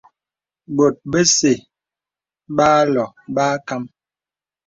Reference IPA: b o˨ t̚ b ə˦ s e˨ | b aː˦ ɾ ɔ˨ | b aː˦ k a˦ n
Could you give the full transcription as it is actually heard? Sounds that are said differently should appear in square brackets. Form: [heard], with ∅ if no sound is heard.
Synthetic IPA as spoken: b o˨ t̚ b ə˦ s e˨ | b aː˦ [l] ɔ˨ | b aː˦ k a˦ [m]